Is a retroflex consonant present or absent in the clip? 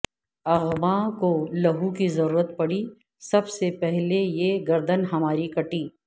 present